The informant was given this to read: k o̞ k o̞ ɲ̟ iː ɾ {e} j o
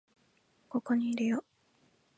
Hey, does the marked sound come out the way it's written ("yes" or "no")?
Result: yes